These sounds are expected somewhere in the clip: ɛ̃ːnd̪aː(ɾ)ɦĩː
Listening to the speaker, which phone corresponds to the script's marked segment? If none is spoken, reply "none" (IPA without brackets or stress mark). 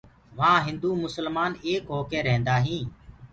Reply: none